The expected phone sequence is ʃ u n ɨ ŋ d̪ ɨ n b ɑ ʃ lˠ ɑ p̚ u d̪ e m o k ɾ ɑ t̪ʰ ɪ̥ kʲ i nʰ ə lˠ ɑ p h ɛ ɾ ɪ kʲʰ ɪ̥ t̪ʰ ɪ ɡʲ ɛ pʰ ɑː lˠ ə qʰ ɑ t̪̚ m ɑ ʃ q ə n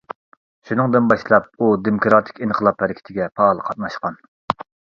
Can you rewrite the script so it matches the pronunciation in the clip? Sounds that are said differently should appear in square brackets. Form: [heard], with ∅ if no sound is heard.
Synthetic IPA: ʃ u n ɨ ŋ d̪ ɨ n b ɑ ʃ lˠ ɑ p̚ u d̪ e m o k ɾ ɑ t̪ʰ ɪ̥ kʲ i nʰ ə lˠ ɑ p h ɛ ɾ ɪ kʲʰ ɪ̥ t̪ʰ ɪ ɡʲ ɛ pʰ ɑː lˠ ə qʰ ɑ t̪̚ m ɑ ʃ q [ɑ] n